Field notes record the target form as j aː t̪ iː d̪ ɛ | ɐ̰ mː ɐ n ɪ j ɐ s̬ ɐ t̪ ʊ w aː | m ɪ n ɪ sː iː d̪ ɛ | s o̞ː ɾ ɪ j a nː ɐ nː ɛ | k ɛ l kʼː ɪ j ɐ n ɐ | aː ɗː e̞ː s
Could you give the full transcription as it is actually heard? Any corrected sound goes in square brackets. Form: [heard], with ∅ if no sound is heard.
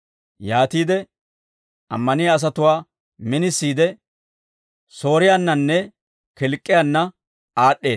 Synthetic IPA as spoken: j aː t̪ iː d̪ ɛ | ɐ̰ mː ɐ n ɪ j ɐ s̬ ɐ t̪ ʊ w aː | m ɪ n ɪ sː iː d̪ ɛ | s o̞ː ɾ ɪ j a nː ɐ nː ɛ | k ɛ l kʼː ɪ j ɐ [nː] ɐ | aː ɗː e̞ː s